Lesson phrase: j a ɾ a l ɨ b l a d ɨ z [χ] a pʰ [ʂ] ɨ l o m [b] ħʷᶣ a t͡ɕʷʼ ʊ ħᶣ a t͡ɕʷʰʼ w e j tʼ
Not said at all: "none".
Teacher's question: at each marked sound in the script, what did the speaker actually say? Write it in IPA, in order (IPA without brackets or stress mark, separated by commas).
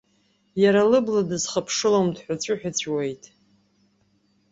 χ, ʂ, d